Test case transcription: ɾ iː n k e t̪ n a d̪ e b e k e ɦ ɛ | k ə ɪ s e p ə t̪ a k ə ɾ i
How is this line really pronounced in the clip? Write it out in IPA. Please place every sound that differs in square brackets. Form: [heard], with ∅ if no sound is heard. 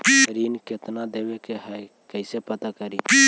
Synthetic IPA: ɾ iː n k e t̪ n a d̪ e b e k e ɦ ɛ | k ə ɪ s e p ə t̪ a k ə ɾ i